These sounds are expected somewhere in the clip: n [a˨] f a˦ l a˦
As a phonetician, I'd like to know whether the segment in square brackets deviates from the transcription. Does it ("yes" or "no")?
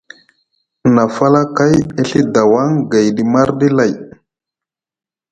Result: no